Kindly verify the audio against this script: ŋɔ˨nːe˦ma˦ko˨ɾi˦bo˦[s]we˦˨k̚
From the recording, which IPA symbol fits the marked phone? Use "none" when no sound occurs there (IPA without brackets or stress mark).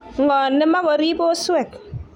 s